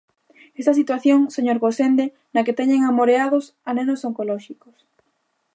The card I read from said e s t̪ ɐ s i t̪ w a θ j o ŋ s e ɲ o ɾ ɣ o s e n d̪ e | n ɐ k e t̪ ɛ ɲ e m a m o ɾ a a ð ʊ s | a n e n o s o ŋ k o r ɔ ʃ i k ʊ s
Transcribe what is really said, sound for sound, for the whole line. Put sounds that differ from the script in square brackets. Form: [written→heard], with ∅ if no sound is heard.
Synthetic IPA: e s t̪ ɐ s i t̪ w a θ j o ŋ s e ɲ o ɾ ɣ o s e n d̪ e | n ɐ k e t̪ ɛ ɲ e [m→ŋ] a m o ɾ [a→e] a ð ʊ s | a n e n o s o ŋ k o [r→l] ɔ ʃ i k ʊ s